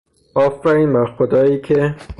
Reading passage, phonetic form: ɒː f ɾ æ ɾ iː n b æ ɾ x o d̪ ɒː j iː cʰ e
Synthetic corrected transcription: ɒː f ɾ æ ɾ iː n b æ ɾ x o d̪ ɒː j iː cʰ e